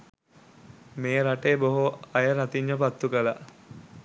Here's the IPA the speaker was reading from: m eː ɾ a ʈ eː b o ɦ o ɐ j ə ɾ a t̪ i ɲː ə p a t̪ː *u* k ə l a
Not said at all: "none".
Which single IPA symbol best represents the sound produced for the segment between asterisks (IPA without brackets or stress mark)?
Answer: u